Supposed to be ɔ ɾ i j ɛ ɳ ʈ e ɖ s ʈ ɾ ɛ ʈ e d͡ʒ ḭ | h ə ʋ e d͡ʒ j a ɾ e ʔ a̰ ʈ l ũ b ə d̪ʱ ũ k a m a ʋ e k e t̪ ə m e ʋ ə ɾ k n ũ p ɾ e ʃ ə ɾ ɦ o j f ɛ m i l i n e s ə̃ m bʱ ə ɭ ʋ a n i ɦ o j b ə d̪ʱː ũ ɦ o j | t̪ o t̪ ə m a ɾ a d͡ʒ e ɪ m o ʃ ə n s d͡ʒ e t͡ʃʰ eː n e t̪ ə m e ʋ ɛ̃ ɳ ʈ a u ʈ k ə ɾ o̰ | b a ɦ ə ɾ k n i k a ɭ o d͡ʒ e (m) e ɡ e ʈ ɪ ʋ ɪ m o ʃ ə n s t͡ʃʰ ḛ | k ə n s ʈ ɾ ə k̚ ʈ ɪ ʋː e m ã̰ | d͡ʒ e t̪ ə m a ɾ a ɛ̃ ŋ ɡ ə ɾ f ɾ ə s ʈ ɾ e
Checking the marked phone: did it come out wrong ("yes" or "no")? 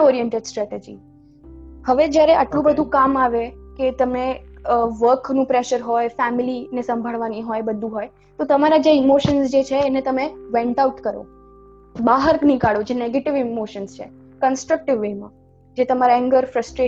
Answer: yes